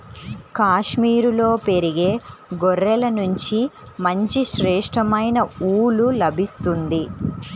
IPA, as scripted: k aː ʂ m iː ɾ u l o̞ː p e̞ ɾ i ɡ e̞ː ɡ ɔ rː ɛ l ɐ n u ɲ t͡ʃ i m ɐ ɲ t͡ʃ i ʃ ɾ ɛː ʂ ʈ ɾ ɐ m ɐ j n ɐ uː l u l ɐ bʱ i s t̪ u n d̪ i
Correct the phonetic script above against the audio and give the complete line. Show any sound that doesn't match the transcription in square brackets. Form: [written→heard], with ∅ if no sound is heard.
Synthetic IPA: k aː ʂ m iː ɾ u l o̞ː p e̞ ɾ i ɡ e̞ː ɡ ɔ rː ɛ l ɐ n u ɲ t͡ʃ i m ɐ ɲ t͡ʃ i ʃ ɾ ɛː ʂ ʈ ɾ ɐ m ɐ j n ɐ uː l u l ɐ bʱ i s t̪ u n d̪ i